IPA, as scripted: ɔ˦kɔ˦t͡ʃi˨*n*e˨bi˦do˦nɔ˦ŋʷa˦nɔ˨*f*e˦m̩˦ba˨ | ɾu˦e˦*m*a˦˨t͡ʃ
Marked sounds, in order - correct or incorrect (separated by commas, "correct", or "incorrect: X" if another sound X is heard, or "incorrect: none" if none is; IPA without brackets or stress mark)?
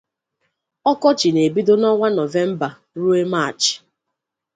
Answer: correct, incorrect: v, correct